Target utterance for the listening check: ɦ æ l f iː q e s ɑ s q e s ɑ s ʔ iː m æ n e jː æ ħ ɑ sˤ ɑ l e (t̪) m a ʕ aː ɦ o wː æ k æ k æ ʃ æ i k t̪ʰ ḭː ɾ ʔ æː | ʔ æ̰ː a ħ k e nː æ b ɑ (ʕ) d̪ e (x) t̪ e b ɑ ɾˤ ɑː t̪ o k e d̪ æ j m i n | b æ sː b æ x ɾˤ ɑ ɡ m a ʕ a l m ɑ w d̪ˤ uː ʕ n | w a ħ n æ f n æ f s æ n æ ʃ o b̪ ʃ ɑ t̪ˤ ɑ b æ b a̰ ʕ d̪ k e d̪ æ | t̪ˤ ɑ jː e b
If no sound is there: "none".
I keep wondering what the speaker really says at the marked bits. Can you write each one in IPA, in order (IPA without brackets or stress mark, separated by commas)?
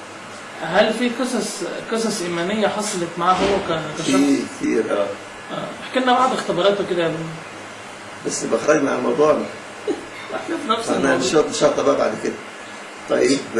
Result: t̪, ʕ, x